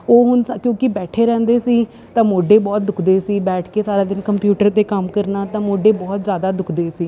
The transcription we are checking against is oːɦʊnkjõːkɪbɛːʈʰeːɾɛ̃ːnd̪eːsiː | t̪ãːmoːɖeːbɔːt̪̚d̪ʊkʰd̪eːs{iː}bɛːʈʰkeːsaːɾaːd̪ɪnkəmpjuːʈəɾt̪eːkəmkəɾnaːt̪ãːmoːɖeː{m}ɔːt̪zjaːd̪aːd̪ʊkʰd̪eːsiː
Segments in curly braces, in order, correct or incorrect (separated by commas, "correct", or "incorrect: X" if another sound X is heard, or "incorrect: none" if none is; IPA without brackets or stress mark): correct, incorrect: b